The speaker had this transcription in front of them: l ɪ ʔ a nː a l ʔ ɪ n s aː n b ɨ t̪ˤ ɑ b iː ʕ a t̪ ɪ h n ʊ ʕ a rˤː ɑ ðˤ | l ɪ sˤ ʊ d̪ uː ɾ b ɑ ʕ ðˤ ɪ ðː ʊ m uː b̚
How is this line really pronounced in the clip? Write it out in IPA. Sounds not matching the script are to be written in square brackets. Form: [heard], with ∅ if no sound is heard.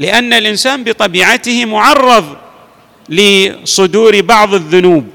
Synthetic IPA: l ɪ ʔ a nː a l ʔ ɪ n s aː n b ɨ t̪ˤ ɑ b iː ʕ a t̪ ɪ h [m] ʊ ʕ [ɑ] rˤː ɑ ðˤ | l ɪ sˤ ʊ d̪ uː ɾ b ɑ ʕ ðˤ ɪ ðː ʊ [n] uː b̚